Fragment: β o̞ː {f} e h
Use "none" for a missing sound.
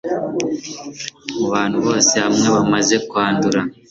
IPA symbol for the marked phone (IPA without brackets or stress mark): s